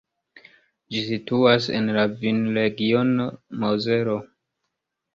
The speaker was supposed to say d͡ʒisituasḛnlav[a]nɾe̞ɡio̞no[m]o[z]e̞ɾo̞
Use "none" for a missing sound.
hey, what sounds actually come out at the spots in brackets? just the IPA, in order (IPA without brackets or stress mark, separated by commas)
i, m, z